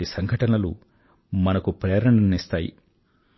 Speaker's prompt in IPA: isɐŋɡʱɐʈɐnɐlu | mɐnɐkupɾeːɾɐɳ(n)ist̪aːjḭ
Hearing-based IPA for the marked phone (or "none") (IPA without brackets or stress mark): n